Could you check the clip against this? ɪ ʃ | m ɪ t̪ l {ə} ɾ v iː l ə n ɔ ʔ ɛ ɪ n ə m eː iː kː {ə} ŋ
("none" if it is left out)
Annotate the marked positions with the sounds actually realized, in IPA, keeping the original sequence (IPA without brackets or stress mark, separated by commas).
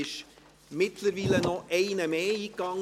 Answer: ə, ɑ